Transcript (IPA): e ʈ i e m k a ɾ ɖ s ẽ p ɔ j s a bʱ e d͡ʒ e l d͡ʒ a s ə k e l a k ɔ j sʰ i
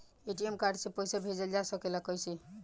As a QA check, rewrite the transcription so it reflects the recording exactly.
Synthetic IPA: e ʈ i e m k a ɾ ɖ s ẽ p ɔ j s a bʱ e d͡ʒ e l d͡ʒ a s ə k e l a k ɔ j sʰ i